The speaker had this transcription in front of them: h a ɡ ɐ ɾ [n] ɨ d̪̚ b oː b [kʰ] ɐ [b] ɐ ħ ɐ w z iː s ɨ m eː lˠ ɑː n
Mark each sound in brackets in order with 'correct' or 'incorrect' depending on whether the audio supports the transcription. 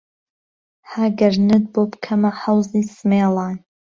correct, correct, incorrect

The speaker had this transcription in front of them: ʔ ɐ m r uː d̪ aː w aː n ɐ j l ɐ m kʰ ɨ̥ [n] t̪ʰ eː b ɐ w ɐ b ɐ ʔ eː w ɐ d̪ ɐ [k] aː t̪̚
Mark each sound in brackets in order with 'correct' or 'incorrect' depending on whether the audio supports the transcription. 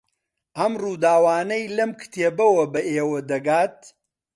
incorrect, incorrect

